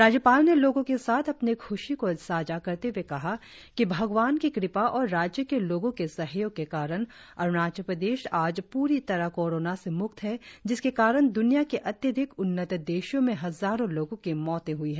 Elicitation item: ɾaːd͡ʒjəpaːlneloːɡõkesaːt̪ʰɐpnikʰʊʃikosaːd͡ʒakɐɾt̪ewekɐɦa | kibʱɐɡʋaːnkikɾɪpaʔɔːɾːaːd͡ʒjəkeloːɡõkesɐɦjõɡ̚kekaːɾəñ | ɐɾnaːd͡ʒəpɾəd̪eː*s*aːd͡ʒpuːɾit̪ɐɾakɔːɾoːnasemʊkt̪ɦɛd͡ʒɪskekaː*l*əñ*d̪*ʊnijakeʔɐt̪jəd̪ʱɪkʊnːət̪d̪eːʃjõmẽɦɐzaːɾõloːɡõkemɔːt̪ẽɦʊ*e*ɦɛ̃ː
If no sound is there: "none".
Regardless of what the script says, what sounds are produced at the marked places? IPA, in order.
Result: ʃ, ɾ, d̪, i

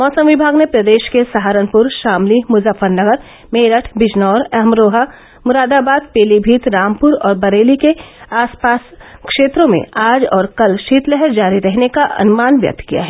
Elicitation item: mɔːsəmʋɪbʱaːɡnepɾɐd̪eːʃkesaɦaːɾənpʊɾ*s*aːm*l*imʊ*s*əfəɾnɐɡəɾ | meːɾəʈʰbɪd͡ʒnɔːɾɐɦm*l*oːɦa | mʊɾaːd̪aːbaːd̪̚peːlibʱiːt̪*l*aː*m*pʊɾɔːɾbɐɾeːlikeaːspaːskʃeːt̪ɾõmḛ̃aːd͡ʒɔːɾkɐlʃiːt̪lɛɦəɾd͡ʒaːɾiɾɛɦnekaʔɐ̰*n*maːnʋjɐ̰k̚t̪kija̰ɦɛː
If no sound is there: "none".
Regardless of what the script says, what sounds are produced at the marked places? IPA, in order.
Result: ʃ, l, z, ɾ, ɾ, m, n

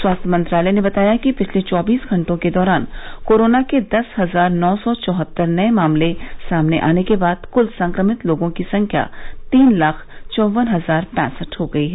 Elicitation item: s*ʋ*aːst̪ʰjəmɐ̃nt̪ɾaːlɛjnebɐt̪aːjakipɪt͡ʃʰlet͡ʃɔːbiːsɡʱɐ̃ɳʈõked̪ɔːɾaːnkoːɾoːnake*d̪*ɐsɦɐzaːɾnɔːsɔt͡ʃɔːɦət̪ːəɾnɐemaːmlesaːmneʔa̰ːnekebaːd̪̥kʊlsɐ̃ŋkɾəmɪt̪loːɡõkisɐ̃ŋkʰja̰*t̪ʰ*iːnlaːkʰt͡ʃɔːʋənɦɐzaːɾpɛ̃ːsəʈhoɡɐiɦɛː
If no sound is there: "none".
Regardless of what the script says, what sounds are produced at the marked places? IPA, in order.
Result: w, d̪, t̪

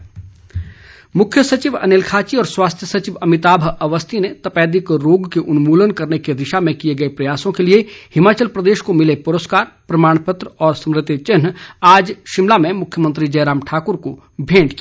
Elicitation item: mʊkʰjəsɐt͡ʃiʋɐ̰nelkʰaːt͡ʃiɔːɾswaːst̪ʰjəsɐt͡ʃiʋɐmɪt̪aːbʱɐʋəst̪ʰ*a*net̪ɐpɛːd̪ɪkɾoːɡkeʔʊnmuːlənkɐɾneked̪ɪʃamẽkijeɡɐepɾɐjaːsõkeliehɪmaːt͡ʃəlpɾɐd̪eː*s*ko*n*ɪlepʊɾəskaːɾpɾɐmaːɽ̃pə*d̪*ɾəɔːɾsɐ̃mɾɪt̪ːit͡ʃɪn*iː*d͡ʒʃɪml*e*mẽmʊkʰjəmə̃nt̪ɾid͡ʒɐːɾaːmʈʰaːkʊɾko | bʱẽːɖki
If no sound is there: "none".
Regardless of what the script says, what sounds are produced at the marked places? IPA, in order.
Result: i, ʃ, m, t̪, aː, a

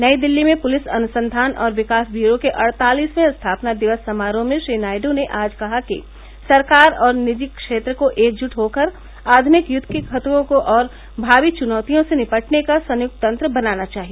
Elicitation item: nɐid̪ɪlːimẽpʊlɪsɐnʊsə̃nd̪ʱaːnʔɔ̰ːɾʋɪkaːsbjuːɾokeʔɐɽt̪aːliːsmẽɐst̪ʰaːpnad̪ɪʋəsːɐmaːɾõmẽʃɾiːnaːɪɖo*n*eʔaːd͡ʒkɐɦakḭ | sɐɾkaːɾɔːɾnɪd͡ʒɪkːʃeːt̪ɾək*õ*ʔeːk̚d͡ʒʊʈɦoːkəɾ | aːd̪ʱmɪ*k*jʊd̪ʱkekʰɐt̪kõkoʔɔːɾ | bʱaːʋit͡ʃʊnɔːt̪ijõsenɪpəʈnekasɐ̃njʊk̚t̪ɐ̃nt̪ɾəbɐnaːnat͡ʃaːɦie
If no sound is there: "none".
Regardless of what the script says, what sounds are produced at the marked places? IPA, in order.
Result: n, o, k

